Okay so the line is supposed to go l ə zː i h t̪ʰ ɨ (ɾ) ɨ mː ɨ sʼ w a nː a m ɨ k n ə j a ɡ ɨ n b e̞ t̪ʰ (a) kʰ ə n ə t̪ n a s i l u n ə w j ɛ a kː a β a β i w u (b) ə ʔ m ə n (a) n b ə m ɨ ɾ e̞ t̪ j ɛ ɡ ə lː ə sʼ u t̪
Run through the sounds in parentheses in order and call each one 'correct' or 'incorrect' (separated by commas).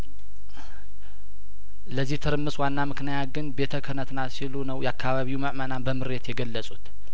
correct, incorrect, incorrect, correct